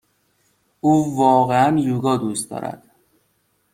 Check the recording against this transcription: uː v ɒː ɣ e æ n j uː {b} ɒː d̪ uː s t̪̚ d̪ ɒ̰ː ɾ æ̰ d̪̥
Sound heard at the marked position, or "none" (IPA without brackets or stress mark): ɡ